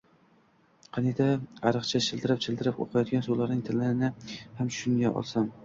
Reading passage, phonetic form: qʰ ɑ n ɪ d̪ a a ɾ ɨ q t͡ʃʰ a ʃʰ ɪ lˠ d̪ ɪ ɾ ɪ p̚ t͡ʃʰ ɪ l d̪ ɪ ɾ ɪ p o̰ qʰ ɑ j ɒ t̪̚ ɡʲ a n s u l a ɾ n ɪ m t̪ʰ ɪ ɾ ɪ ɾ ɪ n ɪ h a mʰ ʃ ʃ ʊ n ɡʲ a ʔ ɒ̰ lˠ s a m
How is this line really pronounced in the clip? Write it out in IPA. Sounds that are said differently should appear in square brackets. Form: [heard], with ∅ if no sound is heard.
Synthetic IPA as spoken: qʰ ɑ n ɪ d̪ a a ɾ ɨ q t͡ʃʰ a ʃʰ ɪ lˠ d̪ ɪ ɾ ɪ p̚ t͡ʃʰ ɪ l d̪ ɪ ɾ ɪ p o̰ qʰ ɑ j ɒ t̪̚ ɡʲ a n s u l a ɾ n ɪ [ŋ] t̪ʰ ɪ [l] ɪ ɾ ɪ n ɪ h a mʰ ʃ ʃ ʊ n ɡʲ a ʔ ɒ̰ lˠ s a m